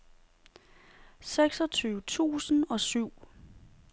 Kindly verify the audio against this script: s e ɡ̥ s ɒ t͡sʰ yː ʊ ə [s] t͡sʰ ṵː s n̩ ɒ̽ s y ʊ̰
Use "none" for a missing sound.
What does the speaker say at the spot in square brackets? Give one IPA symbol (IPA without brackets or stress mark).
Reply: none